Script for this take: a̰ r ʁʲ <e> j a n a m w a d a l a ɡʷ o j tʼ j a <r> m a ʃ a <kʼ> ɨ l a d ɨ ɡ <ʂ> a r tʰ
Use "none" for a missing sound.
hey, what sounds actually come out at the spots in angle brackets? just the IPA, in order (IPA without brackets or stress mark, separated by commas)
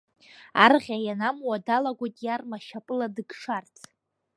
a, r, pʼ, ʂ